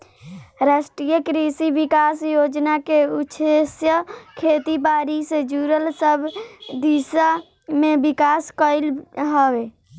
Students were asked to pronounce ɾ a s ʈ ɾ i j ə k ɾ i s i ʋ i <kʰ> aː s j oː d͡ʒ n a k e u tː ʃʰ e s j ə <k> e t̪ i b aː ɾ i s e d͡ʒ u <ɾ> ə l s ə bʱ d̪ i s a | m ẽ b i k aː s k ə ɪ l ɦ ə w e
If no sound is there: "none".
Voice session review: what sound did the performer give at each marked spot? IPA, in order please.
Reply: k, kʰ, ɾ

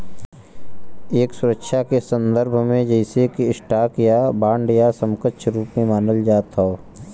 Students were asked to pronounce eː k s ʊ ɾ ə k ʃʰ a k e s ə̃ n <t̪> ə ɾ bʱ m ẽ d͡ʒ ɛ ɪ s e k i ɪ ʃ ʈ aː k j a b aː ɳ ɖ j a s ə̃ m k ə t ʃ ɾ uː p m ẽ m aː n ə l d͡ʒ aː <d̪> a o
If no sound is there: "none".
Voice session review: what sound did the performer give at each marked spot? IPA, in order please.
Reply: d̪, t̪

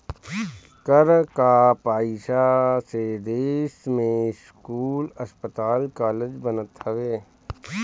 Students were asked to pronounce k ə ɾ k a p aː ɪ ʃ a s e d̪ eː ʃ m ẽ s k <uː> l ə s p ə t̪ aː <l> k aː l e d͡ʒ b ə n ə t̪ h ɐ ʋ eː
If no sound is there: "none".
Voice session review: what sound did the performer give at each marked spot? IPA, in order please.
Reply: uː, l

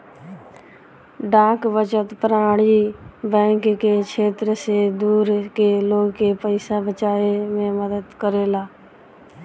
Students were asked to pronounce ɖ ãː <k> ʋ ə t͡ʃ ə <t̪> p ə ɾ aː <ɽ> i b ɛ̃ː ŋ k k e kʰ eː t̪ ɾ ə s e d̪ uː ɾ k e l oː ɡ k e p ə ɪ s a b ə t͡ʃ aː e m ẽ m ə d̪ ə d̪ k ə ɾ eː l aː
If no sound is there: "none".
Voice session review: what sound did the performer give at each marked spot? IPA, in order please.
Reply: k, t̪, ɽ

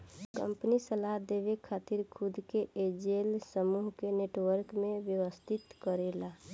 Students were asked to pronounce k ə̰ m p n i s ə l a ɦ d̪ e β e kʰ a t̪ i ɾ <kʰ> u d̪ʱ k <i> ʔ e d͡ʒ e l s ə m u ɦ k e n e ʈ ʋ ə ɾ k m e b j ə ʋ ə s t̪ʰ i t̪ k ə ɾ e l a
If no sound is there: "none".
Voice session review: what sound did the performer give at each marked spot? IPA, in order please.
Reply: kʰ, e

